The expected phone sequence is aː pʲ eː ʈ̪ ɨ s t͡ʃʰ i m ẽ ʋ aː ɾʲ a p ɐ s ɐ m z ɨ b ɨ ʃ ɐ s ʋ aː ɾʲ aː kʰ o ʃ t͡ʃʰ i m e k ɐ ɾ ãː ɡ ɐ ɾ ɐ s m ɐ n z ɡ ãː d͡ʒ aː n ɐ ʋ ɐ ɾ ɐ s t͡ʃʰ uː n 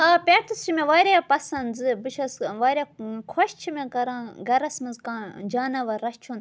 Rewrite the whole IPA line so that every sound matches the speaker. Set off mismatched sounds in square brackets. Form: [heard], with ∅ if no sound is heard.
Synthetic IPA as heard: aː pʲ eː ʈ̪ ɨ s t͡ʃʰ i m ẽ ʋ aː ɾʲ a p ɐ s ɐ [n] z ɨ b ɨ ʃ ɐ s ʋ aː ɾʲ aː kʰ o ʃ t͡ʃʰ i m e k ɐ ɾ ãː ɡ ɐ ɾ ɐ s m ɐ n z [k] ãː d͡ʒ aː n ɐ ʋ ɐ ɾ ɐ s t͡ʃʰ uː n